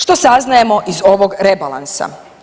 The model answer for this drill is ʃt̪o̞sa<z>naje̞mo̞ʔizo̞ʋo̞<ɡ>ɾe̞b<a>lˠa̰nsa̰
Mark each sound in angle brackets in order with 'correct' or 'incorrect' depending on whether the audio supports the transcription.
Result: correct, correct, correct

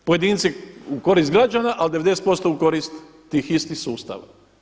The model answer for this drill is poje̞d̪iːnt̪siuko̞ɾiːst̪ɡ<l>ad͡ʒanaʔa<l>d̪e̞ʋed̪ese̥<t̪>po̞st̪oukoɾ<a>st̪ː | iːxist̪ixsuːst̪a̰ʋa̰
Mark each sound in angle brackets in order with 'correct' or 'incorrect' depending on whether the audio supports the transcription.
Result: incorrect, correct, correct, incorrect

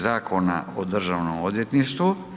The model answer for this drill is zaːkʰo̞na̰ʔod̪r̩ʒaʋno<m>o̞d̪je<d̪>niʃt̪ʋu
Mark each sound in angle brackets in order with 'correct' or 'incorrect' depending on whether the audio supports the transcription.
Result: correct, incorrect

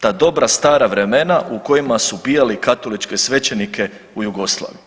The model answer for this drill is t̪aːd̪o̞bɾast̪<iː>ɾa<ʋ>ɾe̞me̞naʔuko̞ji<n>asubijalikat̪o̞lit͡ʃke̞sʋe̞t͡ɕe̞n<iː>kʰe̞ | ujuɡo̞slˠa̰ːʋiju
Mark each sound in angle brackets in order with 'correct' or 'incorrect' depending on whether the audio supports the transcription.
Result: incorrect, correct, incorrect, incorrect

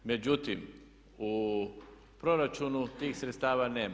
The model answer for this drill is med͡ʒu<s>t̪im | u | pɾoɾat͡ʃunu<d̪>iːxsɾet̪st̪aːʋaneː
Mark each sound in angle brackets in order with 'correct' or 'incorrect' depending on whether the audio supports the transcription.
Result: incorrect, incorrect

